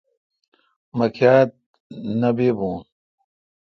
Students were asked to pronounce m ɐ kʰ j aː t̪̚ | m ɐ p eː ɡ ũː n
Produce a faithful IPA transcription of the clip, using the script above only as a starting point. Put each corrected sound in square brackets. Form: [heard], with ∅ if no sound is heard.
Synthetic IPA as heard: m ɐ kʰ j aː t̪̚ | [n] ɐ [b] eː [b] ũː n